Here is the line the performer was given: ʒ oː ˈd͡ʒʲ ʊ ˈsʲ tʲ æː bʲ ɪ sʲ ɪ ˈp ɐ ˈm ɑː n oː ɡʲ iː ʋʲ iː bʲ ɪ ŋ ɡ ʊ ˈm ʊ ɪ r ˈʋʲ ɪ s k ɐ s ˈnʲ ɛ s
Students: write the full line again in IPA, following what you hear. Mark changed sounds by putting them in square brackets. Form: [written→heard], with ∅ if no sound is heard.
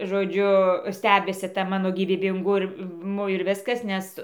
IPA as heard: ʒ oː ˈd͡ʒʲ ʊ ˈsʲ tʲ æː bʲ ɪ sʲ ɪ [ˈp→ˈt] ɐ ˈm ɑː n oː ɡʲ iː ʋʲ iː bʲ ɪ ŋ ɡ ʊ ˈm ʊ ɪ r ˈʋʲ ɪ s k ɐ s ˈnʲ ɛ s